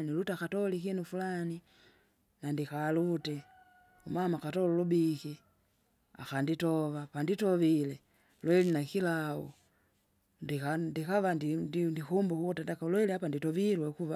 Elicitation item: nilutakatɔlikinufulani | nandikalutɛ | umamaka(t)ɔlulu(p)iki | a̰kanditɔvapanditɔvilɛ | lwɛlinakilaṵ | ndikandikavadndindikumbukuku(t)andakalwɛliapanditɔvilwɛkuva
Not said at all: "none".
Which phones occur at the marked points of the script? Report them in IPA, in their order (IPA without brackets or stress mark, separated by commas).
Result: t, b, t